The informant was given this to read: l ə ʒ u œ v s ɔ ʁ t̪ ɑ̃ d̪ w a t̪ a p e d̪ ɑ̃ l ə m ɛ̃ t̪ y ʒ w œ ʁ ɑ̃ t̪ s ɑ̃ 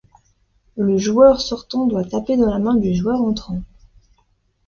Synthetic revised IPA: l ə ʒ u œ ʁ s ɔ ʁ t̪ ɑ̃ d̪ w a t̪ a p e d̪ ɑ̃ l a m ɛ̃ d̪ y ʒ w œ ʁ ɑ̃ t̪ χ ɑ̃